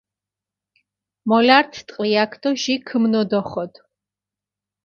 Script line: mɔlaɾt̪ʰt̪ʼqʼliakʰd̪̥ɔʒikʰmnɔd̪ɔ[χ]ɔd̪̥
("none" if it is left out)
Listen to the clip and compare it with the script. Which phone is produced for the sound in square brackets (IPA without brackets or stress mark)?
χ